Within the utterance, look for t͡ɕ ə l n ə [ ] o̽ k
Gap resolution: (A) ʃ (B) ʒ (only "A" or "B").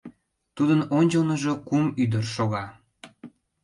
B